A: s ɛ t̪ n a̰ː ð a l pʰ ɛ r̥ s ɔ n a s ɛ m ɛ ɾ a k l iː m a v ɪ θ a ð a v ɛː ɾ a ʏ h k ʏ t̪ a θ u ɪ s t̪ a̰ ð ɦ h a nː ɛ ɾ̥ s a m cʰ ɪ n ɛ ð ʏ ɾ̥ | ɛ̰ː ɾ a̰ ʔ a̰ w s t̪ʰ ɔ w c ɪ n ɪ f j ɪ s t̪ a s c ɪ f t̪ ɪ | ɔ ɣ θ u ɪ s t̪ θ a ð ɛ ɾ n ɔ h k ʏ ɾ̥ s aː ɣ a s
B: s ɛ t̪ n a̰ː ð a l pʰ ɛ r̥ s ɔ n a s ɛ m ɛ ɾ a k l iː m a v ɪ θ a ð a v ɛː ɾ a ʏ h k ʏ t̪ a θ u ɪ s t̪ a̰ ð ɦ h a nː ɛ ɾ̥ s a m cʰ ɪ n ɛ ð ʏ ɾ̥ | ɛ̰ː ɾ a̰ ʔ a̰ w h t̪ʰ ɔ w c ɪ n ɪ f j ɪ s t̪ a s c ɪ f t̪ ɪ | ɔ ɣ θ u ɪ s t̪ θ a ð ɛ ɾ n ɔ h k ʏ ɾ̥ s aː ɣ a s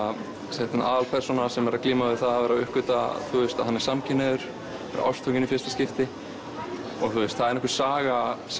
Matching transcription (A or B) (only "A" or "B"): A